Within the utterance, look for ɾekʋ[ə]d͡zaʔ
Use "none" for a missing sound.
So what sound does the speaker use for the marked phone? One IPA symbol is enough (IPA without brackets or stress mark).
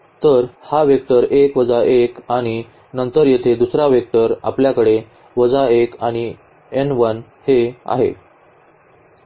ə